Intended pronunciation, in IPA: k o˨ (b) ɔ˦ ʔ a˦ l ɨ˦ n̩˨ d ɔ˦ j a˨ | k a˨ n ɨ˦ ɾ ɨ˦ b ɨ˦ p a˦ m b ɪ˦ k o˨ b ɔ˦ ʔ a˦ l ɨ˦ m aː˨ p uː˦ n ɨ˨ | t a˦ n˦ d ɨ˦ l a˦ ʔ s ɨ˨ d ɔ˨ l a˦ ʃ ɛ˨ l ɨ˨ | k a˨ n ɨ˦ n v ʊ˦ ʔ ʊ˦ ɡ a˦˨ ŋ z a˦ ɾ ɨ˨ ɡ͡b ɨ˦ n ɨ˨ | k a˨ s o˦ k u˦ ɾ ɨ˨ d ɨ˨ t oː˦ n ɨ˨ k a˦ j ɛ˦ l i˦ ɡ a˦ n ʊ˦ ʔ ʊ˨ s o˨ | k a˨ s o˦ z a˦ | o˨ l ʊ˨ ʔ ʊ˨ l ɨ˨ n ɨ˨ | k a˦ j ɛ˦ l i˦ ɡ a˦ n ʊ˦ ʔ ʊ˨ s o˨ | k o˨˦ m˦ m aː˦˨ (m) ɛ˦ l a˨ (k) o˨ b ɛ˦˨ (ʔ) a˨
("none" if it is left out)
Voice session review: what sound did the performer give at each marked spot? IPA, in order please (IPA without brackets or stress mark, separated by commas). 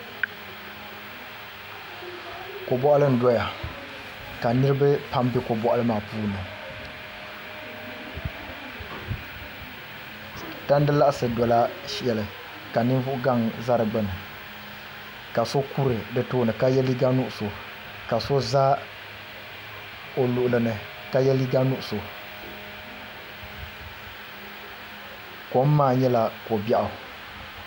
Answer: b, ɲ, k, ʔ